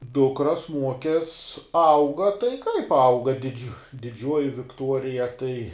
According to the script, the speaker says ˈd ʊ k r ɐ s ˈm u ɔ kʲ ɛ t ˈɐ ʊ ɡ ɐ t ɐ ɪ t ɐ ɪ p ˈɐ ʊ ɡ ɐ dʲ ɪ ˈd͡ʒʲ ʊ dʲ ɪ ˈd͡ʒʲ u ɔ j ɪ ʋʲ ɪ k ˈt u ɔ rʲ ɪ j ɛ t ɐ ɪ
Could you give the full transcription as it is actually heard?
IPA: ˈd ʊ k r ɐ s ˈm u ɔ kʲ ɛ s ˈɐ ʊ ɡ ɐ t ɐ ɪ k ɐ ɪ p ˈɐ ʊ ɡ ɐ dʲ ɪ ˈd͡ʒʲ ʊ dʲ ɪ ˈd͡ʒʲ u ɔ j ɪ ʋʲ ɪ k ˈt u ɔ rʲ ɪ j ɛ t ɐ ɪ